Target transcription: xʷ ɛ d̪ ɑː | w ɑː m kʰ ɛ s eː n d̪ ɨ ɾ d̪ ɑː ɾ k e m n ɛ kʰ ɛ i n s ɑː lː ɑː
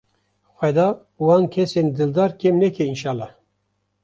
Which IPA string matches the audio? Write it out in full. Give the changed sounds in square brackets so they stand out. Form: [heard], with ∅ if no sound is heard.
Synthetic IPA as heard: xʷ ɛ d̪ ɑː | w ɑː [n] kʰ ɛ s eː n d̪ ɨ [l] d̪ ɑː ɾ k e m n ɛ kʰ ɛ i n [ʃ] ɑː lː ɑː